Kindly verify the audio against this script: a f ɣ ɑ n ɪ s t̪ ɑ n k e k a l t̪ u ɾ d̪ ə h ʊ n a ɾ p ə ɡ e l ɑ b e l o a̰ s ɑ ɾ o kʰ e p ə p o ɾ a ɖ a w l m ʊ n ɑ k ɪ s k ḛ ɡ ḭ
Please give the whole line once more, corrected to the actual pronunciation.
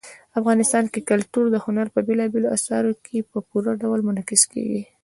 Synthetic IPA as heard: a f ɣ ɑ n ɪ s t̪ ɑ n k e k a l t̪ u ɾ d̪ ə h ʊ n a ɾ p ə b e l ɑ b e l o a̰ s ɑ ɾ o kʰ e p ə p u ɾ a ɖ a w l m ʊ n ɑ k ɪ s k ḛ ɡ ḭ